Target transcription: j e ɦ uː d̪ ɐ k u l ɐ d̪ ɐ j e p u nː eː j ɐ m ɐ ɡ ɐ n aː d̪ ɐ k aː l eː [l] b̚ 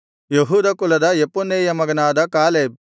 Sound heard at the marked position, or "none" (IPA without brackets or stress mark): none